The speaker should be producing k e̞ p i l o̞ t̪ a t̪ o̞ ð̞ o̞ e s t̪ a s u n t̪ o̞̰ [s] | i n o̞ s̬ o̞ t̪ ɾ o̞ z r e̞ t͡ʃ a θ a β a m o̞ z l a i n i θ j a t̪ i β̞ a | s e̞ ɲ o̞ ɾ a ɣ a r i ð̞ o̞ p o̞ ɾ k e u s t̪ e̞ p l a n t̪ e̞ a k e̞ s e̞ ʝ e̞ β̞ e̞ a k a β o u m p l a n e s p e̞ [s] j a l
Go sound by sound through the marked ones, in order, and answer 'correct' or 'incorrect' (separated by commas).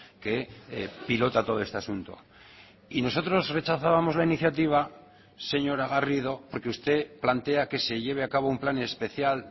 incorrect, incorrect